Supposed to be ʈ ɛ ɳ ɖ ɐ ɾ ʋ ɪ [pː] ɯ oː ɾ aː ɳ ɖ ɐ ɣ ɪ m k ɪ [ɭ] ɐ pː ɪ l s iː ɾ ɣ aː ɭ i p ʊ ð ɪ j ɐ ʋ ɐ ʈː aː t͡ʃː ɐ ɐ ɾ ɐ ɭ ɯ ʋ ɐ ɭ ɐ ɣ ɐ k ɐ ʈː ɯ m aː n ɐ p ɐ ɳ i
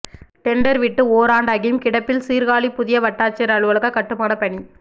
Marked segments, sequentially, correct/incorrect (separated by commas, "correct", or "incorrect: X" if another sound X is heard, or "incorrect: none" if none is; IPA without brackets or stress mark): incorrect: ʈː, incorrect: ɽ